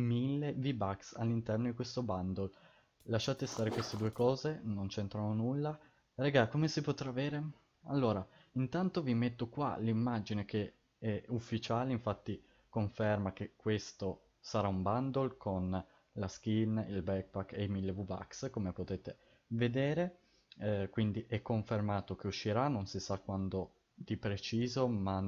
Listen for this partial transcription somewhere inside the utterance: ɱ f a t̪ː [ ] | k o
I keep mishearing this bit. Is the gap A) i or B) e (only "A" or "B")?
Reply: A